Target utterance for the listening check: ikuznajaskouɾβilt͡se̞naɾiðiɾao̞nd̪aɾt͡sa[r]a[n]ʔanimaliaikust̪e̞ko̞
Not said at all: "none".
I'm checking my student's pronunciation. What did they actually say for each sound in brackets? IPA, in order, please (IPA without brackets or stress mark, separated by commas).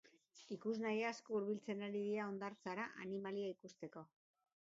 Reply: ɾ, none